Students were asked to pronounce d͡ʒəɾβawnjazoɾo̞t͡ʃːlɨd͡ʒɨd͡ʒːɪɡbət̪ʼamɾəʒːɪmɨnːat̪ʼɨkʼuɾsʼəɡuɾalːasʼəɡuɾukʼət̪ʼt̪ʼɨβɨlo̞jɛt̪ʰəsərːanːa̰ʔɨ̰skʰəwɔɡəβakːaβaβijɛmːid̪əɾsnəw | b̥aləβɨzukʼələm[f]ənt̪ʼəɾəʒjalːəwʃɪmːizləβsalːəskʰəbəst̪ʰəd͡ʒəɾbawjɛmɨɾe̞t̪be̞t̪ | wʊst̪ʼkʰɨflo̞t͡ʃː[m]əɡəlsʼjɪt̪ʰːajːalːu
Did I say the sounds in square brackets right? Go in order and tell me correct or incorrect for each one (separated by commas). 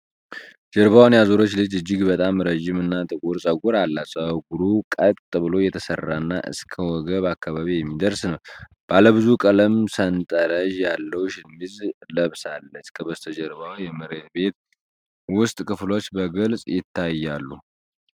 incorrect, incorrect